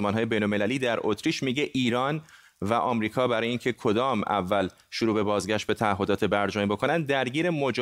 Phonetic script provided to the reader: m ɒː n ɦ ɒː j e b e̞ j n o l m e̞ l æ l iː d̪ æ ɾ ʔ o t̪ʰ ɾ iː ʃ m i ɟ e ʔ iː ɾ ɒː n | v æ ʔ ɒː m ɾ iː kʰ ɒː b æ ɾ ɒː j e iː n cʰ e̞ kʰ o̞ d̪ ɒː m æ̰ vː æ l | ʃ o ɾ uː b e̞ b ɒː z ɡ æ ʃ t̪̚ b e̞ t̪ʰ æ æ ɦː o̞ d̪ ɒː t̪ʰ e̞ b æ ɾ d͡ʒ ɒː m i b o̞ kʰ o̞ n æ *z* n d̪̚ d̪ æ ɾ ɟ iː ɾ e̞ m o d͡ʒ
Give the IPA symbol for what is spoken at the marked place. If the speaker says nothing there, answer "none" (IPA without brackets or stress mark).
none